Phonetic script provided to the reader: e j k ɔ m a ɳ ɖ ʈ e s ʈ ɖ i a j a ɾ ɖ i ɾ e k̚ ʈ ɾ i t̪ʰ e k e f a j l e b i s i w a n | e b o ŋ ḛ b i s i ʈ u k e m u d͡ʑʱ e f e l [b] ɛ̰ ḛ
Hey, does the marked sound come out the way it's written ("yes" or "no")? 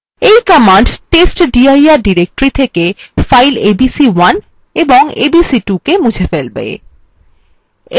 yes